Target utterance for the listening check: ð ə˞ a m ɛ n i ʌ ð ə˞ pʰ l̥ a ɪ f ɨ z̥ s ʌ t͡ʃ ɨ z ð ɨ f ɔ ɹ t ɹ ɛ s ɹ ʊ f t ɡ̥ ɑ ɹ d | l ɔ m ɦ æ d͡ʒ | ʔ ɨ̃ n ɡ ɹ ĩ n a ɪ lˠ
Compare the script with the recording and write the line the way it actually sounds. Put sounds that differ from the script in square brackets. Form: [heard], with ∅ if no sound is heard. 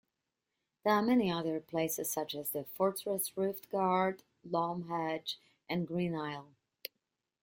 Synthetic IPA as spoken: ð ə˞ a m ɛ n i ʌ ð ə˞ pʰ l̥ [e] ɪ [s] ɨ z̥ s ʌ t͡ʃ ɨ z ð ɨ f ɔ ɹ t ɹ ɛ s ɹ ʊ f t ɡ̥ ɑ ɹ d | l ɔ m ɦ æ d͡ʒ | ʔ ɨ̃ n ɡ ɹ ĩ n a ɪ lˠ

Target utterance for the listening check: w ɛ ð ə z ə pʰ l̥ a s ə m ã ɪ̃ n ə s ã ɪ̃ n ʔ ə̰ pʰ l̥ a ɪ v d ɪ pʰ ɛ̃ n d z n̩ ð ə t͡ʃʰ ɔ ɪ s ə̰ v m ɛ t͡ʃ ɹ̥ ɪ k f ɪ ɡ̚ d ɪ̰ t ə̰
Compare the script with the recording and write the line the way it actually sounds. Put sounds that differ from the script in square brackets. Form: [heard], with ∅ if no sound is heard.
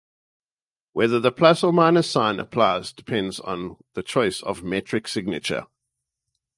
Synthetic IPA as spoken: w ɛ ð ə [ð] ə pʰ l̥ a s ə m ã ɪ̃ n ə s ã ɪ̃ n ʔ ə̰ pʰ l̥ a ɪ [z] d ɪ pʰ ɛ̃ n d z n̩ ð ə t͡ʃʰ ɔ ɪ s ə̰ v m ɛ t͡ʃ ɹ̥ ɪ k [s] ɪ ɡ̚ [n] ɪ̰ [t͡ʃ] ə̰

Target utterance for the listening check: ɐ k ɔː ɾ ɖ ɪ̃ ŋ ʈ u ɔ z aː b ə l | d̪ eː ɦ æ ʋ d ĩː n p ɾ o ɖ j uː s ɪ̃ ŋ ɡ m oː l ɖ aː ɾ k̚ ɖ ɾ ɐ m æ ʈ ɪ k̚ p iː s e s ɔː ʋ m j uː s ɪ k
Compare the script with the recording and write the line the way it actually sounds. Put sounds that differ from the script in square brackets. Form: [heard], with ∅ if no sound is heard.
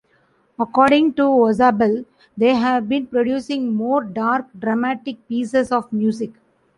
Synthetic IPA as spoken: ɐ k ɔː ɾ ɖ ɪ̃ ŋ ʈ u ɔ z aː b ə l | d̪ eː ɦ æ ʋ [b] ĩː n p ɾ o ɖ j uː s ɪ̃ ŋ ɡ m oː [ɾ] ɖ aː ɾ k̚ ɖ ɾ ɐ m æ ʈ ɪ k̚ p iː s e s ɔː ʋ m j uː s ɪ k

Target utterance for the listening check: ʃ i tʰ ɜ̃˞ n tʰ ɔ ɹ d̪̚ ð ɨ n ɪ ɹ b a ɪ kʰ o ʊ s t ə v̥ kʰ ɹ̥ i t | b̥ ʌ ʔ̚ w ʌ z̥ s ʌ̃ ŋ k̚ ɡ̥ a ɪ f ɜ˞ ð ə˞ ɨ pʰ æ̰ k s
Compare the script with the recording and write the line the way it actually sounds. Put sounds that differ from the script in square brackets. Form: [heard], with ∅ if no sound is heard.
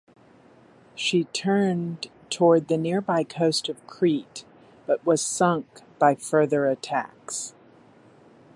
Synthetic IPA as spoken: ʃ i tʰ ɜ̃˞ n tʰ ɔ ɹ d̪̚ ð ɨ n ɪ ɹ b a ɪ kʰ o ʊ s t [ʌ] v̥ kʰ ɹ̥ i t | b̥ ʌ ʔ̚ w ʌ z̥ s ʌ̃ ŋ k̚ [b̥] a ɪ f ɜ˞ ð ə˞ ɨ [tʰ] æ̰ k s

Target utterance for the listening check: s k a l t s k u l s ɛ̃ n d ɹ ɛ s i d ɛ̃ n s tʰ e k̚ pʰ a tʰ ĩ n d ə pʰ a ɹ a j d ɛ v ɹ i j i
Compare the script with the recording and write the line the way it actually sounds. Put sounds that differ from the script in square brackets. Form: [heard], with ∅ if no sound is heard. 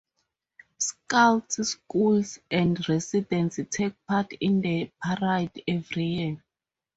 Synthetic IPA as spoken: s k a l t s k u l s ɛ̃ n d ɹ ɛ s i d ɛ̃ n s tʰ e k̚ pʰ a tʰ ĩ n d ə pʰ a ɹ a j d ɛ v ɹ i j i

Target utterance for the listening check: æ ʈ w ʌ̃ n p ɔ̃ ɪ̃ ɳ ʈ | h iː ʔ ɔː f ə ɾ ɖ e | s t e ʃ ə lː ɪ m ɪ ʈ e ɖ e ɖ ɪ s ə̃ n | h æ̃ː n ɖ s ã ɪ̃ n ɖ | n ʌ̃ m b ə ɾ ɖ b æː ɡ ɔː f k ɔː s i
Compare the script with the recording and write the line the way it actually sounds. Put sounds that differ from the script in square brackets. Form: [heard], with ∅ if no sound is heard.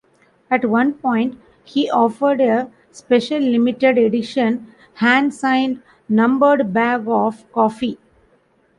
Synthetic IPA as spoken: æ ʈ [ʋ] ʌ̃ n p ɔ̃ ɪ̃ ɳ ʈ | h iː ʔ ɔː f ə ɾ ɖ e | s [p] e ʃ ə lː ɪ m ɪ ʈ e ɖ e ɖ ɪ [ʃ] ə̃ n | h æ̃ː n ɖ s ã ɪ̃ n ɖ | n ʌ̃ m b ə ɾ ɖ b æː ɡ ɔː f k ɔː [f] i

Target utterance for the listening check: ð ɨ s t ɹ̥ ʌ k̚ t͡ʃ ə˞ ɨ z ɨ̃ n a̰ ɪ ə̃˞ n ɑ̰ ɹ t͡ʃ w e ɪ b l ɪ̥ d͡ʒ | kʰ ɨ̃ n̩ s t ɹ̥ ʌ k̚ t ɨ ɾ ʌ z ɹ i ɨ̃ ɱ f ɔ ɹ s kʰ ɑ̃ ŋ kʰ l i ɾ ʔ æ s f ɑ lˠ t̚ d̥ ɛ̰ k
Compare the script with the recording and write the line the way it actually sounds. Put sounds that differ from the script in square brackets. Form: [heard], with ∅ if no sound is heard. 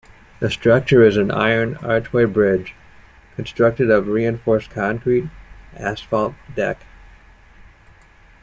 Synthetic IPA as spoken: ð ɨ s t ɹ̥ ʌ k̚ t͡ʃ ə˞ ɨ z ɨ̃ n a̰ ɪ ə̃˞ n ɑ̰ ɹ t͡ʃ w e ɪ b [ɹ] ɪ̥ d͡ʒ | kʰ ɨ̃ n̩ s t ɹ̥ ʌ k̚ t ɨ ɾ ʌ [v] ɹ i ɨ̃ ɱ f ɔ ɹ s kʰ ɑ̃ ŋ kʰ [ɹ] i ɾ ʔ æ s f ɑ lˠ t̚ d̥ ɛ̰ k

